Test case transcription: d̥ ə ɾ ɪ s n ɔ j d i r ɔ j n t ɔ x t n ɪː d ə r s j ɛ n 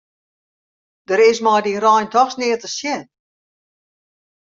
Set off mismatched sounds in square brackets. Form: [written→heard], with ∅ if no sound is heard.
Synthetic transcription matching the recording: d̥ ə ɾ ɪ s [n→m] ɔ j d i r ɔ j n t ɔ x [t→s] n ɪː [d→t] ə [r→∅] s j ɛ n